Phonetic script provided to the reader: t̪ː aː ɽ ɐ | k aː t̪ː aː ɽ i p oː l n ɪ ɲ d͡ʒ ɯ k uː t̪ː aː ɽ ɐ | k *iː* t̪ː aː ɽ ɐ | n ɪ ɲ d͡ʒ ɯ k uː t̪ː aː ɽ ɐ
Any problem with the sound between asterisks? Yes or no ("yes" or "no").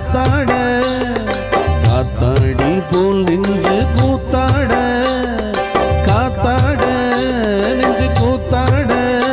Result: yes